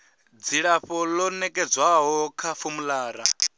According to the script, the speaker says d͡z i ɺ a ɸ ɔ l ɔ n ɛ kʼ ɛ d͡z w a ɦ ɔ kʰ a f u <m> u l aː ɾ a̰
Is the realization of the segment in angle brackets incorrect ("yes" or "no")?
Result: no